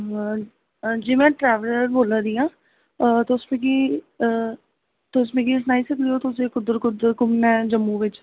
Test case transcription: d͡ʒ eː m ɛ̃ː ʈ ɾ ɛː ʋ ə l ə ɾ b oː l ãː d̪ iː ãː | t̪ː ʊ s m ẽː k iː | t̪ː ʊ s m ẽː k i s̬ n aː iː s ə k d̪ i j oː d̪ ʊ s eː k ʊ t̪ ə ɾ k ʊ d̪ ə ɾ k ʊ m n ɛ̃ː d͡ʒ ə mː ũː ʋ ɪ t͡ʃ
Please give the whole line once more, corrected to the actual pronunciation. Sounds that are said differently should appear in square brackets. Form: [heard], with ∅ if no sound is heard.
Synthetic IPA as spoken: d͡ʒ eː m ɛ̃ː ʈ ɾ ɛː ʋ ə l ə ɾ b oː l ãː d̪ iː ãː | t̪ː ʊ s m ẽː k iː | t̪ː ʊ s m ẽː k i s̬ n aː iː s ə k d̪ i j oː [t̪] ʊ s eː k ʊ [d̪] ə ɾ k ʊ d̪ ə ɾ k ʊ m n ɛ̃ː d͡ʒ ə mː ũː ʋ ɪ t͡ʃ